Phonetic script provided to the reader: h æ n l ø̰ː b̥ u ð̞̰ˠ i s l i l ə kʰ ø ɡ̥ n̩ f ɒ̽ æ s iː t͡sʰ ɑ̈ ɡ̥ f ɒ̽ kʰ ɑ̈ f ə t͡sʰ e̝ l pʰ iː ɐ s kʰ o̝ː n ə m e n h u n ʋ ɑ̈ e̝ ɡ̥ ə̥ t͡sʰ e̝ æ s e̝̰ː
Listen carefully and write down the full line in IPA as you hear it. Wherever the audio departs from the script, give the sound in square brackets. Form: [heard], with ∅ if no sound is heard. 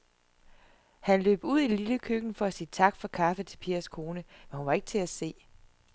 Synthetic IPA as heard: h æ n l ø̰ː b̥ u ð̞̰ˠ i [∅] l i l ə kʰ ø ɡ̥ n̩ f ɒ̽ æ s iː t͡sʰ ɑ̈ ɡ̥ f ɒ̽ kʰ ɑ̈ f ə t͡sʰ e̝ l pʰ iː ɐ s kʰ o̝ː n ə m e n h u n ʋ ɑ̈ e̝ ɡ̥ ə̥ t͡sʰ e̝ æ s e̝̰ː

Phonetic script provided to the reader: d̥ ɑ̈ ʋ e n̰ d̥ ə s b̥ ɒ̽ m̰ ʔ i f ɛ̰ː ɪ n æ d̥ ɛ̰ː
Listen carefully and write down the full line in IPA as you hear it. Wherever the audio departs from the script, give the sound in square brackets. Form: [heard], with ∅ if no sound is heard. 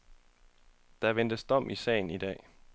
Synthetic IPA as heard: d̥ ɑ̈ ʋ e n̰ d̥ ə s [d̥] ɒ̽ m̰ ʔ i [s] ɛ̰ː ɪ n [i] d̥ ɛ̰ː

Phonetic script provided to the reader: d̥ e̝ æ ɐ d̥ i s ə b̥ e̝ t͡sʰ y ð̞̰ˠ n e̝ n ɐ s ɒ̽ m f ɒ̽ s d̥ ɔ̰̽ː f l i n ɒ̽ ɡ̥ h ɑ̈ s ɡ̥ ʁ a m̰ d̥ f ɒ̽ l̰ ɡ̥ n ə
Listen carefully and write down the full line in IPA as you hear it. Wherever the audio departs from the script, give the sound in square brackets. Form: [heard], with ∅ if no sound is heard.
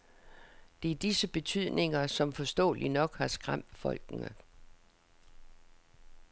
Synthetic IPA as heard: d̥ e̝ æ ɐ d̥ i s ə b̥ e̝ t͡sʰ y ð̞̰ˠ n e̝ [ŋ] ɐ s ɒ̽ m f ɒ̽ s d̥ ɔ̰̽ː [∅] l i n ɒ̽ ɡ̥ h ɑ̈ s ɡ̥ ʁ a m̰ d̥ f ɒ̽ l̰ ɡ̥ n ə

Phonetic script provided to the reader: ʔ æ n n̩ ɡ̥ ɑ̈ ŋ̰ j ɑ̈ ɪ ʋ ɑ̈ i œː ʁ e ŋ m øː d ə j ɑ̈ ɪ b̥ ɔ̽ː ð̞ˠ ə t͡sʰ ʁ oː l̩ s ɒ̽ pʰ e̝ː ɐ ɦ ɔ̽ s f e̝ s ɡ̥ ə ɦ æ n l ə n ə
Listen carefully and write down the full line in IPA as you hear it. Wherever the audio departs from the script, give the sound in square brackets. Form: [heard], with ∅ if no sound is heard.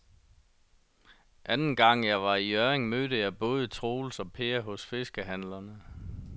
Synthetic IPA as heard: ʔ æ n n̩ ɡ̥ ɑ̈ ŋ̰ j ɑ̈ ɪ ʋ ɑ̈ i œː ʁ e ŋ m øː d ə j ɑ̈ ɪ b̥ ɔ̽ː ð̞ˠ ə t͡sʰ ʁ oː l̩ s ɒ̽ pʰ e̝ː ɐ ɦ ɔ̽ s f e̝ s ɡ̥ ə ɦ æ n l [ɐ] n ə

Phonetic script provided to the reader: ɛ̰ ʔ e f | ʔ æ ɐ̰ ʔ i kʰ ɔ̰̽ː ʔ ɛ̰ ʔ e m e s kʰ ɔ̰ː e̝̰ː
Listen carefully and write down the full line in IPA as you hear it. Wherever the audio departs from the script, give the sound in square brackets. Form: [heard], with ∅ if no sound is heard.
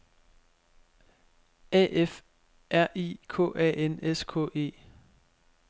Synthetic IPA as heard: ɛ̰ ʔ e f | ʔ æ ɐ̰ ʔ i kʰ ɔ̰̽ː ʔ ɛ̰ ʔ e [n] e s kʰ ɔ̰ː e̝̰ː

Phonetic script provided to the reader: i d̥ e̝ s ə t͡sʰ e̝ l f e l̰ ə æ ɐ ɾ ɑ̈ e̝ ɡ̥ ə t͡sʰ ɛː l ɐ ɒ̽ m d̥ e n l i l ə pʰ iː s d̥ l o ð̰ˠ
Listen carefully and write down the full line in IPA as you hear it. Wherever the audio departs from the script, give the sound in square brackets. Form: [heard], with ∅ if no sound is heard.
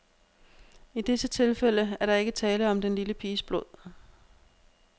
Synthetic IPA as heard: i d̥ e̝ s ə t͡sʰ e̝ l f e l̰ ə æ ɐ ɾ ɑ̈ e̝ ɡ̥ ə t͡sʰ ɛː l [ə] ɒ̽ m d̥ e n l i l ə pʰ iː s [b̥] l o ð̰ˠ

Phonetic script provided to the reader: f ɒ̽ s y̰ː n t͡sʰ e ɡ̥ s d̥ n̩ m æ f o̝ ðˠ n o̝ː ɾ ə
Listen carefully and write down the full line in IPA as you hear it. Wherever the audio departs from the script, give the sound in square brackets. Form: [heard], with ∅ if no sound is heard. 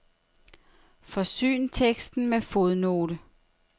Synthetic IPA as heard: f ɒ̽ s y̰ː n t͡sʰ e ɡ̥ s d̥ n̩ m [e] f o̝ ðˠ n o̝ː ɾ ə

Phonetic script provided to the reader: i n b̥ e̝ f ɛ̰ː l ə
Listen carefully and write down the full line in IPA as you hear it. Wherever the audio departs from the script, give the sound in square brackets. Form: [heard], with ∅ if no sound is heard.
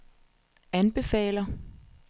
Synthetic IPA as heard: [æ] n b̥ e̝ f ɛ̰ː l [ɐ]

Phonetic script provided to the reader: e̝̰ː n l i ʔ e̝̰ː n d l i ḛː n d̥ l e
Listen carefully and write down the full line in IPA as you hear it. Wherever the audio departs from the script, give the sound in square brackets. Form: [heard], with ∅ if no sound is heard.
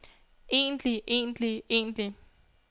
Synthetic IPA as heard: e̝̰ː n l i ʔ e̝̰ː n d l i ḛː n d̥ l [i]

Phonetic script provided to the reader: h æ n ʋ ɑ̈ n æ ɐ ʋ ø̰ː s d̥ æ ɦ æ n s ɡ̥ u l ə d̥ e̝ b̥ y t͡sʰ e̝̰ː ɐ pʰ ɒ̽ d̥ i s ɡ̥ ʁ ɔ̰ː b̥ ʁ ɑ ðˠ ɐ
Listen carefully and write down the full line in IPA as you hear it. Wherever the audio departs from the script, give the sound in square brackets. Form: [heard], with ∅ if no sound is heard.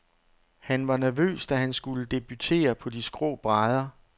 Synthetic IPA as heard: h æ n ʋ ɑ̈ n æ ɐ ʋ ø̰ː s d̥ æ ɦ æ n s ɡ̥ u l ə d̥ e̝ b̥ y t͡sʰ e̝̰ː ɐ pʰ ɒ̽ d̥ i s ɡ̥ ʁ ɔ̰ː b̥ ʁ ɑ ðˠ ɐ

